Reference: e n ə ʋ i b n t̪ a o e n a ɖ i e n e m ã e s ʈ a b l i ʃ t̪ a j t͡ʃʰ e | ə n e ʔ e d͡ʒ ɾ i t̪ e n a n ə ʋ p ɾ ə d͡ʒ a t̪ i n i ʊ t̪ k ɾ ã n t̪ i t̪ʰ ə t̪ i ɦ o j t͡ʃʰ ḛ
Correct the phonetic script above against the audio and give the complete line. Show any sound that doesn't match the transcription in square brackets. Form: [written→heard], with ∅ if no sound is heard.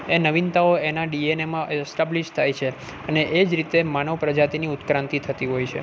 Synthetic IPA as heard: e n ə ʋ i [b→∅] n t̪ a o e n a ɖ i e n e m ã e s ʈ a b l i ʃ [t̪→t̪ʰ] a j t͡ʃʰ e | ə n e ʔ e d͡ʒ ɾ i t̪ e [n→m] a n ə ʋ p ɾ ə d͡ʒ a t̪ i n i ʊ t̪ k ɾ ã n t̪ i t̪ʰ ə t̪ i ɦ o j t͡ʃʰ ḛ